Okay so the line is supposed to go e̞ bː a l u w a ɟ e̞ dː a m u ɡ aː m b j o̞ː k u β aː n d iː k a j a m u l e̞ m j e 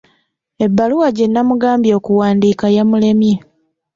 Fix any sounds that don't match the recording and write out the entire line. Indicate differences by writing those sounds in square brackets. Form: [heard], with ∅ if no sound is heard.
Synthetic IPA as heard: e̞ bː a l u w a ɟ e̞ [nː] a m u ɡ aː m b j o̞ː k u [w] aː n d iː k a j a m u l e̞ m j e